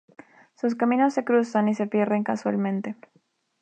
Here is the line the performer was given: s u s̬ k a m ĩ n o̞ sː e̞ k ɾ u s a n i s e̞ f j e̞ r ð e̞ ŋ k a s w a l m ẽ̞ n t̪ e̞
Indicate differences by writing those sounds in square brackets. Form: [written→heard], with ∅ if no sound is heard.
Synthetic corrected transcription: s u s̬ k a m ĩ n o̞ sː e̞ k ɾ u s a n i s e̞ f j e̞ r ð e̞ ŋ k a s w a l m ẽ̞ n t̪ e̞